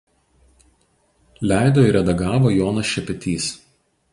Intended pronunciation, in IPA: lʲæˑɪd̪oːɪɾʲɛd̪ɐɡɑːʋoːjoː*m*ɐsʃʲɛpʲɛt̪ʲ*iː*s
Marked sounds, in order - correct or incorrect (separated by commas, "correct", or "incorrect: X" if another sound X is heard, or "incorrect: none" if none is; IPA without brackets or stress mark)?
incorrect: n, correct